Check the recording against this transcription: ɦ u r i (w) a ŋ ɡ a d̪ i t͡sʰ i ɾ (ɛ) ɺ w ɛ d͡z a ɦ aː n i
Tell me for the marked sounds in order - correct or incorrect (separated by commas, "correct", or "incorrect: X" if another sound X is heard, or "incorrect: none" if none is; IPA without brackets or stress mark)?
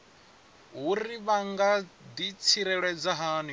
incorrect: β, correct